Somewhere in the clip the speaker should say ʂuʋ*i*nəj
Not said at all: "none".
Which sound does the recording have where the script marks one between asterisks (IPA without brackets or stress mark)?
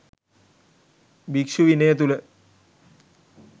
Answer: i